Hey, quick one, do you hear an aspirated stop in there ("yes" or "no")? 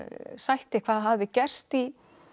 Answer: yes